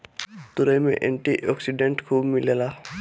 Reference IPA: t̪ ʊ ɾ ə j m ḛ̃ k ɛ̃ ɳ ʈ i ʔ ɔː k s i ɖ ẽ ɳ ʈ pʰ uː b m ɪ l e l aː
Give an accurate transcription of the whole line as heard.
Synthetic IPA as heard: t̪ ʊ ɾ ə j m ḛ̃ ʔ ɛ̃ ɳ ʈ i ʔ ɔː k s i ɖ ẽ ɳ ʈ kʰ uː b m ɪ l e l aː